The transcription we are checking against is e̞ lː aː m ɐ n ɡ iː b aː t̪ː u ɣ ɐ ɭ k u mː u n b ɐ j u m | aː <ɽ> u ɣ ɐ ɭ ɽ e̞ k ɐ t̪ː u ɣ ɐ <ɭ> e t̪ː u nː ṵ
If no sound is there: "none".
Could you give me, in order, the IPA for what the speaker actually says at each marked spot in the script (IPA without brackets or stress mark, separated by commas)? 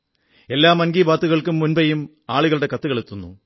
ɭ, ɭ